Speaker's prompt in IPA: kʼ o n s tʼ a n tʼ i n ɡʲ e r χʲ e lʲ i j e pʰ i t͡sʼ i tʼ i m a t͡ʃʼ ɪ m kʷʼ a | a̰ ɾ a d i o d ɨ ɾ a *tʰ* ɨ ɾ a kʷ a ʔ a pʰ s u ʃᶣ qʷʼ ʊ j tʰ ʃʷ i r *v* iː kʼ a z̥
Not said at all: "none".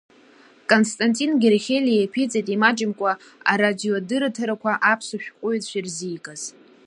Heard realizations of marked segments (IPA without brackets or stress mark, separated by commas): tʰ, z